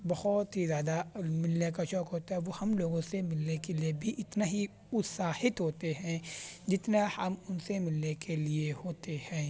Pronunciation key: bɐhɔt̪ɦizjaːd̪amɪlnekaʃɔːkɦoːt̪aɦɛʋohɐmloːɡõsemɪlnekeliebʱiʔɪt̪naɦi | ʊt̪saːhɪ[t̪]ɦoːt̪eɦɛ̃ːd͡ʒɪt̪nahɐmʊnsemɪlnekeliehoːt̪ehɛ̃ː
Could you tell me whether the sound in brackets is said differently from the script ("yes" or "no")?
no